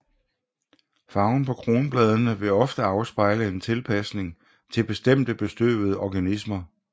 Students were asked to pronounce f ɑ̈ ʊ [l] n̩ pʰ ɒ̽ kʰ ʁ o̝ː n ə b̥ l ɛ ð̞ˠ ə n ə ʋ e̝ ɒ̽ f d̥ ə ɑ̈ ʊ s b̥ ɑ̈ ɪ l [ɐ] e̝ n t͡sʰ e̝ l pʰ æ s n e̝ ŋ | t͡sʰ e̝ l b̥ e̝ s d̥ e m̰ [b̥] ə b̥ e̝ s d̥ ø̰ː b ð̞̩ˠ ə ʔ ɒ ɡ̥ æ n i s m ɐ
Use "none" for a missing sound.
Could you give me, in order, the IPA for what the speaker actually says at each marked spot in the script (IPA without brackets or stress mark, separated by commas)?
none, ə, d̥